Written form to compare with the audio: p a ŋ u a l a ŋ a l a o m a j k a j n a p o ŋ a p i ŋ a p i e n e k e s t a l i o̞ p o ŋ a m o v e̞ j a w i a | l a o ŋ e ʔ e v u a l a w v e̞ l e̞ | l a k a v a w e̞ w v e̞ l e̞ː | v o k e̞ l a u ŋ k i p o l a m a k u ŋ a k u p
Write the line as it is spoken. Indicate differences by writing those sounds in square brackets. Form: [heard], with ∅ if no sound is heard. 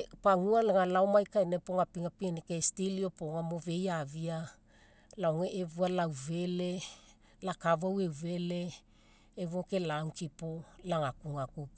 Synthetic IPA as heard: p a ŋ u a l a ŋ a l a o m a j k a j n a p o ŋ a p i ŋ a p i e n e k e s t [i] l i o̞ p o ŋ a m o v e̞ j a [v] i a | l a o ŋ e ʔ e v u a l a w v e̞ l e̞ | l a k a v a w e̞ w v e̞ l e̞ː | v o k e̞ l a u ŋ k i p o l a [ŋ] a k u ŋ a k u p